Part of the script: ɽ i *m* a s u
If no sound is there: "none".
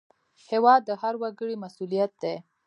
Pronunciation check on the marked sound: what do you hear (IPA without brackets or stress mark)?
m